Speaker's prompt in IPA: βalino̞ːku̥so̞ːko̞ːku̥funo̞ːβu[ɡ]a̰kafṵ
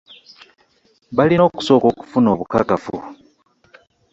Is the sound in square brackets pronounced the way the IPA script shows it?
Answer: no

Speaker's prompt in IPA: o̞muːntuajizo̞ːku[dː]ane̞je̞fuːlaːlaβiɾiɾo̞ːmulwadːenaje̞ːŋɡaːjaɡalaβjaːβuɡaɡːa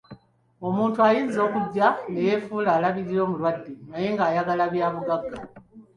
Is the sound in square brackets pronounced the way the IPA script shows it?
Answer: no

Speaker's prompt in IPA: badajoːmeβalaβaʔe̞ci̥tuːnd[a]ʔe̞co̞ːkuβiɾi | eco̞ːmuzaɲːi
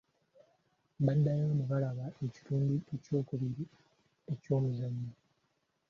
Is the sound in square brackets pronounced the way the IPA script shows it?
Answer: no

